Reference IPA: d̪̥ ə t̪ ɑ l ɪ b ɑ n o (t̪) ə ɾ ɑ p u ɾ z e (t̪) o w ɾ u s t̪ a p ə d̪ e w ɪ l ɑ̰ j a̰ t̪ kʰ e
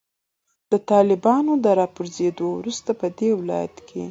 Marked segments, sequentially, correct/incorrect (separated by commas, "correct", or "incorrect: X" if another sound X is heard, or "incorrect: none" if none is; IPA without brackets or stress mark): incorrect: d̪, incorrect: d̪